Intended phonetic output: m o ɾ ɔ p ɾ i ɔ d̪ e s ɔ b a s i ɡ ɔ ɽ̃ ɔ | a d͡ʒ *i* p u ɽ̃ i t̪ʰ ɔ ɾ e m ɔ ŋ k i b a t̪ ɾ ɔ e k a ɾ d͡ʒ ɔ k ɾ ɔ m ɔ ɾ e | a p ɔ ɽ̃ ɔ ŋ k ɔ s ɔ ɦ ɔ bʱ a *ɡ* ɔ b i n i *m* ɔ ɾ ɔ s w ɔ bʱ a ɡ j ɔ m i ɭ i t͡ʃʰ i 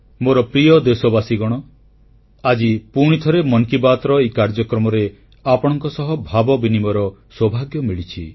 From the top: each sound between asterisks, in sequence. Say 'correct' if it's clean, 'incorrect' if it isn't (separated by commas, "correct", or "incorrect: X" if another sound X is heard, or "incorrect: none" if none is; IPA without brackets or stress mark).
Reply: correct, incorrect: b, correct